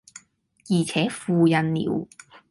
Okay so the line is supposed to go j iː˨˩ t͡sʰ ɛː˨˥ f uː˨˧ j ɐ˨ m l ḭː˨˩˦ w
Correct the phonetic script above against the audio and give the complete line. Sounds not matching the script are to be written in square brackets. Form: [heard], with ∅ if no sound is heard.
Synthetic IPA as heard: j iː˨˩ t͡sʰ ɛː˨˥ f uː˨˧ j ɐ˨ [n] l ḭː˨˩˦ w